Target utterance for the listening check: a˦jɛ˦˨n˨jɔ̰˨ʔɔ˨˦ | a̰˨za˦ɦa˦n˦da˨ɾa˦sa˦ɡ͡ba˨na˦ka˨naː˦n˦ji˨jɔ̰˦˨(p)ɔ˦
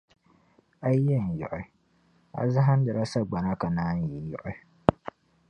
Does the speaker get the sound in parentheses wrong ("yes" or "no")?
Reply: yes